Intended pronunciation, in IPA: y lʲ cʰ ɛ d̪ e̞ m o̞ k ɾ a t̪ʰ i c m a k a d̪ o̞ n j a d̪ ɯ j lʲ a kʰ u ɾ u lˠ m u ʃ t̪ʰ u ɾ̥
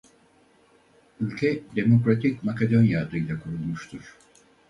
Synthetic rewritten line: y lʲ cʰ ɛ d̪ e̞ m o̞ k ɾ a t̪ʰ i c m a k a d̪ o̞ n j a d̪ ɯ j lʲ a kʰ u ɾ u lˠ m u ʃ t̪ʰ u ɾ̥

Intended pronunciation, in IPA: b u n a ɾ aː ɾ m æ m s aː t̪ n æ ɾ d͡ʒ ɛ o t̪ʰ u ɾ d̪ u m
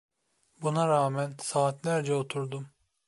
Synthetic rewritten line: b u n a ɾ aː m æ n s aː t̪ n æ ɾ d͡ʒ ɛ o t̪ʰ u ɾ d̪ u m

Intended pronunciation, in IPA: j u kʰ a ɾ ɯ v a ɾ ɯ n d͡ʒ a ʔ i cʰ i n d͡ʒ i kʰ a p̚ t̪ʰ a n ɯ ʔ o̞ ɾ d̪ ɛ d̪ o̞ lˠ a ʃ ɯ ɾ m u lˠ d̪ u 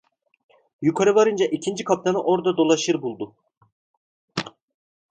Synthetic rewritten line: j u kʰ a ɾ ɯ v a ɾ ɯ n d͡ʒ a ʔ i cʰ i n d͡ʒ i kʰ a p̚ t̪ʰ a n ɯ ʔ o̞ ɾ d̪ a d̪ o̞ lˠ a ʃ ɯ ɾ b u lˠ d̪ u

